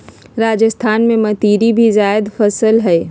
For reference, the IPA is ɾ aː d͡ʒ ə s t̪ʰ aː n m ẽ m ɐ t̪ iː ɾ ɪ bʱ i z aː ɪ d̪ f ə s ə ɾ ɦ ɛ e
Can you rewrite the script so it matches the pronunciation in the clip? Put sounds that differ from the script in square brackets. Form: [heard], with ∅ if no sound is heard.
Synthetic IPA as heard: ɾ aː d͡ʒ ə s t̪ʰ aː n m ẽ m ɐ t̪ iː ɾ [i] bʱ i z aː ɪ d̪ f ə s ə [l] ɦ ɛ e